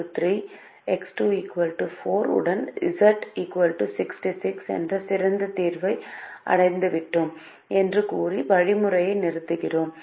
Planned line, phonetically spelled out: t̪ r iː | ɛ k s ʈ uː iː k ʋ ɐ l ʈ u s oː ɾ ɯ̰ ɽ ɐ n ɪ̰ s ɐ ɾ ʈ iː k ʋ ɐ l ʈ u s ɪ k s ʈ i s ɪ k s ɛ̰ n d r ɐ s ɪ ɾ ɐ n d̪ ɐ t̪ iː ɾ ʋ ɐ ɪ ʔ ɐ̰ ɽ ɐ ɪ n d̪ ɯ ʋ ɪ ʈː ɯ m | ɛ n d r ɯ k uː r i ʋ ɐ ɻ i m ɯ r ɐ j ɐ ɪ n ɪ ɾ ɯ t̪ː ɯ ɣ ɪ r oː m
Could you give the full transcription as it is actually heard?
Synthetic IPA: t̪ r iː | ɛ k s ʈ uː iː k ʋ ɐ l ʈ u f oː ɾ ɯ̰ ɽ ɐ n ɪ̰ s ɐ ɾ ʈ iː k ʋ ɐ l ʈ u s ɪ k s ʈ i s ɪ k s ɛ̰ n d r ɐ s ɪ ɾ ɐ n d̪ ɐ t̪ iː ɾ ʋ ɐ ɪ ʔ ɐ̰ ɽ ɐ ɪ n d̪ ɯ ʋ ɪ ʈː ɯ m | ɛ n d r ɯ k uː r i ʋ ɐ ɻ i m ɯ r ɐ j ɐ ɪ n ɪ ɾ ɯ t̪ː ɯ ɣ ɪ r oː m